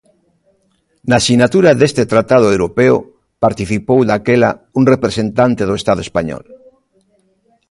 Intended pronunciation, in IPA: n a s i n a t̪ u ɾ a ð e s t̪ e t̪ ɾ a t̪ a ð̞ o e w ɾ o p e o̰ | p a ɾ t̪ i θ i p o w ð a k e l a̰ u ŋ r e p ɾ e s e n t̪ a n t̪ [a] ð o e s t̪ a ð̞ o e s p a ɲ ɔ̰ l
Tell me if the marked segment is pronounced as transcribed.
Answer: no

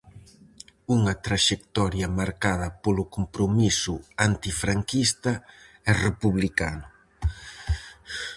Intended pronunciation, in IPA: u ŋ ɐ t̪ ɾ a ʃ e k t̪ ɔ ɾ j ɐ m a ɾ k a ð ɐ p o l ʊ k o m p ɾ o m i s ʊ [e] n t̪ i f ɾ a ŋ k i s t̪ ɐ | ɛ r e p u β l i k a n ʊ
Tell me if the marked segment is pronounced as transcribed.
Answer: no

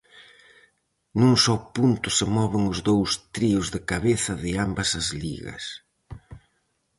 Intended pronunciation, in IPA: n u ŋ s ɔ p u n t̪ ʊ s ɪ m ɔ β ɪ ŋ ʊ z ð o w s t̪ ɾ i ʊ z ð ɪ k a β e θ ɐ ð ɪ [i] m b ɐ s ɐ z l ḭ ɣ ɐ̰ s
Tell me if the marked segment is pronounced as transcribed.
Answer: no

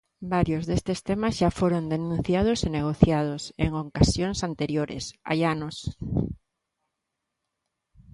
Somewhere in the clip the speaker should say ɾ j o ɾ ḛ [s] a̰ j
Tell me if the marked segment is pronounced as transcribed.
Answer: yes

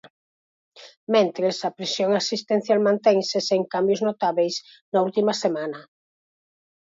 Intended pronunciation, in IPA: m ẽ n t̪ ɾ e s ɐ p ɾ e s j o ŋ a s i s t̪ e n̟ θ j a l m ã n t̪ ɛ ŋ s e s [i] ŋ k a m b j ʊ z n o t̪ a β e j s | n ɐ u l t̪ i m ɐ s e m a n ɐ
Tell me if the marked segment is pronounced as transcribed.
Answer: no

